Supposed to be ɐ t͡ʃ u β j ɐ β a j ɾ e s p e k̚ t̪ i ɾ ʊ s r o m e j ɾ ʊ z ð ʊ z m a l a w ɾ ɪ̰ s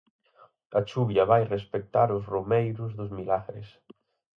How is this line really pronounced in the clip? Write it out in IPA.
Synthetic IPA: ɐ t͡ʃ u β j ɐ β a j r e s p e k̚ t̪ a ɾ ʊ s r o m e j ɾ ʊ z ð ʊ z m i l a ɣ ɾ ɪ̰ s

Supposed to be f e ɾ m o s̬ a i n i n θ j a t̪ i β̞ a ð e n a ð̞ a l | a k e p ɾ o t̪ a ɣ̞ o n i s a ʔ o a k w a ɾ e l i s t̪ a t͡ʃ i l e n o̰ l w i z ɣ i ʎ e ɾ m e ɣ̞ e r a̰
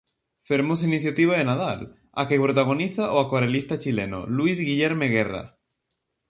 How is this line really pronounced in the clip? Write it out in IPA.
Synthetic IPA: f e ɾ m o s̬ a i n i θ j a t̪ i β̞ a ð e n a ð̞ a l | a k e p ɾ o t̪ a ɣ̞ o n i θ a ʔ o a k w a ɾ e l i s t̪ a t͡ʃ i l e n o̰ l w i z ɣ i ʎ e ɾ m e ɣ̞ e r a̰

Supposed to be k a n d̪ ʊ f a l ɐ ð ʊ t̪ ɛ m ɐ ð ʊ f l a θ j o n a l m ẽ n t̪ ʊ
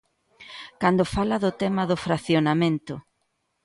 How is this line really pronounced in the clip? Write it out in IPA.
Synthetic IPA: k a n d̪ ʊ f a l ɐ ð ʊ t̪ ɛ m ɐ ð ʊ f ɾ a θ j o n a m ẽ n t̪ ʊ

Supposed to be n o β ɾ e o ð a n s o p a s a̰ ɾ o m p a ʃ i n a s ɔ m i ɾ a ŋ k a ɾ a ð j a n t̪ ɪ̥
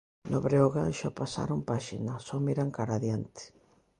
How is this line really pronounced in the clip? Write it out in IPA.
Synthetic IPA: n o β ɾ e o ɣ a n ʃ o p a s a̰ ɾ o m p a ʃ i n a s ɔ m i ɾ a ŋ k a ɾ a ð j a n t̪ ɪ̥

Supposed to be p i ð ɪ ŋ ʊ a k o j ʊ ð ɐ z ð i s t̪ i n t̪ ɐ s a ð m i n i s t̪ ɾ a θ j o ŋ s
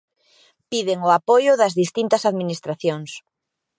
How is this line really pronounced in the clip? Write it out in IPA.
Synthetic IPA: p i ð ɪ ŋ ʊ a p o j ʊ ð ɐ z ð i s t̪ i n t̪ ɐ s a ð m i n i s t̪ ɾ a θ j o ŋ s

